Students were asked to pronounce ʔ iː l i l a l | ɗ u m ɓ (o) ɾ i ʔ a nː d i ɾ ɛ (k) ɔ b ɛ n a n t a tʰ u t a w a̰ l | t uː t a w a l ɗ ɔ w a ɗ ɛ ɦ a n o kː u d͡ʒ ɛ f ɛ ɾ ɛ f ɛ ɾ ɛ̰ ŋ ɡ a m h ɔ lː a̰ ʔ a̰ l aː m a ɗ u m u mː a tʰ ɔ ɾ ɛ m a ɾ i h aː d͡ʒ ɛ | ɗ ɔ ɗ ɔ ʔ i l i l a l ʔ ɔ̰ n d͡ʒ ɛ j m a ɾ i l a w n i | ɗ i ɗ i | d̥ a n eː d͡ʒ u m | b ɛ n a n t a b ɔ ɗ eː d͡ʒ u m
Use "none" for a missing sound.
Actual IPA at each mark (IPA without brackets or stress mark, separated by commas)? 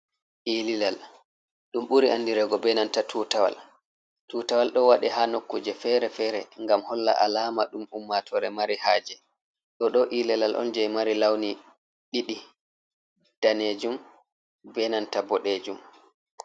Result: u, ɡ